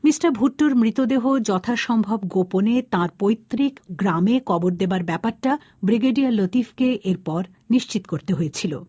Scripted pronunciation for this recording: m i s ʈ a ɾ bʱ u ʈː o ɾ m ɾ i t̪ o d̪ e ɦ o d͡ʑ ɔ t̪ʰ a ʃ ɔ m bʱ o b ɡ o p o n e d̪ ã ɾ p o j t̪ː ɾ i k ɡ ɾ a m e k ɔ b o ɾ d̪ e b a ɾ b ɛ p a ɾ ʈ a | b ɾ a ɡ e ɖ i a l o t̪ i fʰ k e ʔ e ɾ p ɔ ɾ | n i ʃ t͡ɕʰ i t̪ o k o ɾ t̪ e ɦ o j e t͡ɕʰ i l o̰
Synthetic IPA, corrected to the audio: m i s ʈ a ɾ bʱ u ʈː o ɾ m ɾ i t̪ o d̪ e ɦ o d͡ʑ ɔ t̪ʰ a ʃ ɔ m bʱ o b ɡ o p o n e t̪ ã ɾ p o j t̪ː ɾ i k ɡ ɾ a m e k ɔ b o ɾ d̪ e b a ɾ b ɛ p a ɾ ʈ a | b ɾ i ɡ e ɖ i a l o t̪ i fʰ k e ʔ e ɾ p ɔ ɾ | n i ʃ t͡ɕ i t̪ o k o ɾ t̪ e ɦ o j e t͡ɕʰ i l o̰